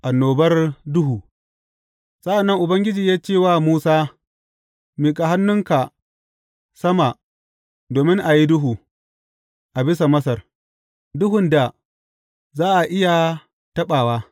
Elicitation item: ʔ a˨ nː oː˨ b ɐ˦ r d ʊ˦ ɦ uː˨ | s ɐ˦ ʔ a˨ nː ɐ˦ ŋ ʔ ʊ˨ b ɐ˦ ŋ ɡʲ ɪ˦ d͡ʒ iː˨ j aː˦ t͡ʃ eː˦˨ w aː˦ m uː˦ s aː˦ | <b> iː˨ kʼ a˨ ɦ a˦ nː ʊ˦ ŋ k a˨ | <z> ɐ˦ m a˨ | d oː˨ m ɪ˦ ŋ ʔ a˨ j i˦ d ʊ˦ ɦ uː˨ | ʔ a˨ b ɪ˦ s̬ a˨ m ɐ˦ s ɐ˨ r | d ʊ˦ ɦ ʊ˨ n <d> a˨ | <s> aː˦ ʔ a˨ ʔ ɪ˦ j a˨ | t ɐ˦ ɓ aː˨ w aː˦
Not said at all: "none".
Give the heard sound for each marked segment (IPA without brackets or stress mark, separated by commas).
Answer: m, s, d, z